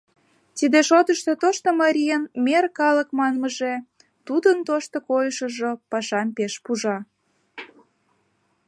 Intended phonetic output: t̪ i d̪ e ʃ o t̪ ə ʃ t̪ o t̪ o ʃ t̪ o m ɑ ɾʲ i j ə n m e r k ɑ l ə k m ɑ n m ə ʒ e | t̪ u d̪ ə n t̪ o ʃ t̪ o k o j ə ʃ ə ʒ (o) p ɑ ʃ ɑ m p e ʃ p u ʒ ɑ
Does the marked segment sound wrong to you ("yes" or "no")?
no